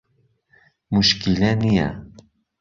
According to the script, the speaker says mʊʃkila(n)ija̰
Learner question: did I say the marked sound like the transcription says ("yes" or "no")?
yes